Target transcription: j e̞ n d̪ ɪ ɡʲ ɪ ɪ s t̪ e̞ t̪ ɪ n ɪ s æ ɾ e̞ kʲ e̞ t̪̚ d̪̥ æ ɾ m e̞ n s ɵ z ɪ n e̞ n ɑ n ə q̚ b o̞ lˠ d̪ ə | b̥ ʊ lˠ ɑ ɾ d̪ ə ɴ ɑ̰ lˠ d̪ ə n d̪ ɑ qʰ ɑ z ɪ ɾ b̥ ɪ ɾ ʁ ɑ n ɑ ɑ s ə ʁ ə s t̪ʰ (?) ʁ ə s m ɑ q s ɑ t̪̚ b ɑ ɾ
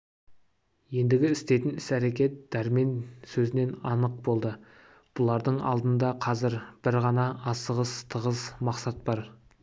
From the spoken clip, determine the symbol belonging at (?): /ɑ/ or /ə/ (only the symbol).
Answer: ə